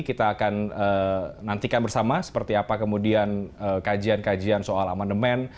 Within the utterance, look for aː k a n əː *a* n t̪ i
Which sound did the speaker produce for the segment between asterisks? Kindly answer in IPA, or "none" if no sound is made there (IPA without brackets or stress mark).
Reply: a